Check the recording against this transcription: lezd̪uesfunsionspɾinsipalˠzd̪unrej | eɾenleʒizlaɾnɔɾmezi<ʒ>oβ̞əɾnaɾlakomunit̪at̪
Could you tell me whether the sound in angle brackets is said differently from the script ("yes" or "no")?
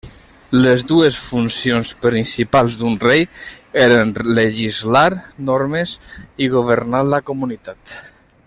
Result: yes